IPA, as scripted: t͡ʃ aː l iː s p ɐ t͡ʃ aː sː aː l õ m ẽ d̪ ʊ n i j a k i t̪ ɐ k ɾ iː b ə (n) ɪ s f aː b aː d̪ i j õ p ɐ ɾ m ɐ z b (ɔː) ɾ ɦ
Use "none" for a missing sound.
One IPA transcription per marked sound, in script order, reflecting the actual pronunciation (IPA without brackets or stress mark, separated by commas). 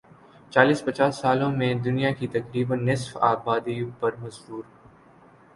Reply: nː, uː